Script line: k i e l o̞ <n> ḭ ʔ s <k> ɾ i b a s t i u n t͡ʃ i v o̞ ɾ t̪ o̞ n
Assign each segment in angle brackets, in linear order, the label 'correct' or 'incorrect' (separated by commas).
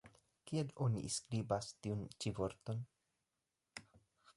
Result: correct, correct